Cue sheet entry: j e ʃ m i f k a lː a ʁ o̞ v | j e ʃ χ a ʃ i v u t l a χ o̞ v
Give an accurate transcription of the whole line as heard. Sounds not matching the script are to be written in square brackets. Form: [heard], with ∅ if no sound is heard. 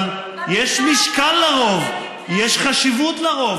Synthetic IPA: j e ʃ m i [ʃ] k a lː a ʁ o̞ v | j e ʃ χ a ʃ i v u t l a [ʁ] o̞ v

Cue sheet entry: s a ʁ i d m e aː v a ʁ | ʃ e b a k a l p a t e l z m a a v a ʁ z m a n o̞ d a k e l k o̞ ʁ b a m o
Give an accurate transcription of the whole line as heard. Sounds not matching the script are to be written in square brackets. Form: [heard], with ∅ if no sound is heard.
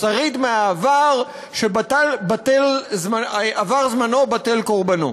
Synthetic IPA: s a ʁ i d m e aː v a ʁ | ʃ e b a [t] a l [b] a t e l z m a a v a ʁ z m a n o̞ [b] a [t] e l k o̞ ʁ b a [n] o

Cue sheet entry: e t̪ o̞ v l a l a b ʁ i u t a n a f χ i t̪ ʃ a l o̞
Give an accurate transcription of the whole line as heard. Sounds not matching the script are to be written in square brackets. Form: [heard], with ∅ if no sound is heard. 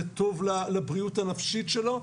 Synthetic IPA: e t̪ o̞ v l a l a b ʁ i u t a n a f [ʃ] i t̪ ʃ [e] l o̞

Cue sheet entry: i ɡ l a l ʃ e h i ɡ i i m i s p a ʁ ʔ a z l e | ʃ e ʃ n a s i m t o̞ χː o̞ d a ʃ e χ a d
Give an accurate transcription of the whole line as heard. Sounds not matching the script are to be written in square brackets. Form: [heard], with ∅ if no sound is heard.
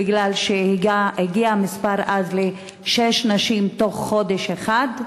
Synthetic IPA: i ɡ l a l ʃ e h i ɡ i [a] m i s p a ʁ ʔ a z l e | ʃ e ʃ n a [ʃ] i m t o̞ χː o̞ d [e] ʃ e χ a d

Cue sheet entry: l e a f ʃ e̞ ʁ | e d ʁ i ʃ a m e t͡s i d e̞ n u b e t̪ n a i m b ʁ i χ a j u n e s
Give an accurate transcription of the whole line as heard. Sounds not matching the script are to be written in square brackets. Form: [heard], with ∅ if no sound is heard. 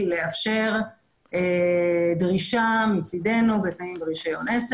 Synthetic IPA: l e a f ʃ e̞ ʁ | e d ʁ i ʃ a m [i] t͡s i d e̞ n u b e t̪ n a i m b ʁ i [ʃ] a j [o] n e s

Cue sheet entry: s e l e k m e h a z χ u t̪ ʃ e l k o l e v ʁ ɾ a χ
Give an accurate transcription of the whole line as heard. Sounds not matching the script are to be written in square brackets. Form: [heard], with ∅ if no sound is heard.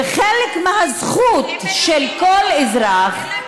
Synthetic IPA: [χ] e l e k m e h a z χ u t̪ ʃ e l k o l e [z] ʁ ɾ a χ

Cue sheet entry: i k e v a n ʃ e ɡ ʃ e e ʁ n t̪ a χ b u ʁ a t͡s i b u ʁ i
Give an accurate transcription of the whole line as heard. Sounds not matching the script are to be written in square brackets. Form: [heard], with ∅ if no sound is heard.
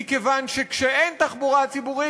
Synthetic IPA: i k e v a n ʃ e [k] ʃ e e [∅] n t̪ a χ b u ʁ a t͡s i b u ʁ i

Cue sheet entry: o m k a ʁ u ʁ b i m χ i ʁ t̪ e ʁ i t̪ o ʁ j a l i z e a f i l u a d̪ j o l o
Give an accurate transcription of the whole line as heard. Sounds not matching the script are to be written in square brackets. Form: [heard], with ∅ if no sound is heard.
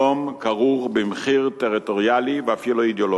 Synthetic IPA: o m k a ʁ u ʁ b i m χ i ʁ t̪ e ʁ i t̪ o ʁ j a l i [v] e a f i l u [i] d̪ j o l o

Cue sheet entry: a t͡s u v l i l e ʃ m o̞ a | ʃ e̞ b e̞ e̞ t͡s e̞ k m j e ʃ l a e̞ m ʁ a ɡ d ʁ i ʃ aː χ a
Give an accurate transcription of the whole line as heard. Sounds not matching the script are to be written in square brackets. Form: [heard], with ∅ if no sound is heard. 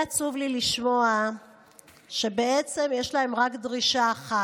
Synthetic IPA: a t͡s u v l i l [i] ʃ m o̞ a | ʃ e̞ b e̞ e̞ t͡s e̞ [∅] m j e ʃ l a e̞ m ʁ a [k] d ʁ i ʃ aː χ a

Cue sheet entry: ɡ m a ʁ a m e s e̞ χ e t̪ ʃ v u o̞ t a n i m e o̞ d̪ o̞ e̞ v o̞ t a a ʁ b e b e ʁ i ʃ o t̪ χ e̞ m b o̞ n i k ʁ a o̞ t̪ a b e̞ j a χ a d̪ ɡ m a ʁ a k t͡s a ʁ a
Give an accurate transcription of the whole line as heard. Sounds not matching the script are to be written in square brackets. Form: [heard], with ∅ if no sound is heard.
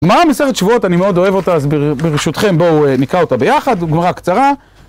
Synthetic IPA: ɡ m a ʁ a m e s e̞ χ e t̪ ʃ v u o̞ t a n i m e o̞ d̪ o̞ e̞ v o̞ t a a [z] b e b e ʁ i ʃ [u] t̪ χ e̞ m b o̞ n i k ʁ a o̞ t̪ a b e̞ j a χ a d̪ ɡ m a ʁ a k t͡s a ʁ a

